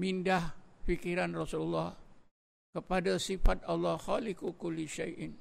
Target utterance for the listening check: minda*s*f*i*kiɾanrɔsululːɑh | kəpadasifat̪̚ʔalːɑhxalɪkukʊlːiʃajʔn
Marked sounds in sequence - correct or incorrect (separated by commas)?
incorrect, correct